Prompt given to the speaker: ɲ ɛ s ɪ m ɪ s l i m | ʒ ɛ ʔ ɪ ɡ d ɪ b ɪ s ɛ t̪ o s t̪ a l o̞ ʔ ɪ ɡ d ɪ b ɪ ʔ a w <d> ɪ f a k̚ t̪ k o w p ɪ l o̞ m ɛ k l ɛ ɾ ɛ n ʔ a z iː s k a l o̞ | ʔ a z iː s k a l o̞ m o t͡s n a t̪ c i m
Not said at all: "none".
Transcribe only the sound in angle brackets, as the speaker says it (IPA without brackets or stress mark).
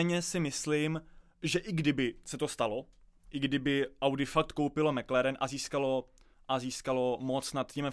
d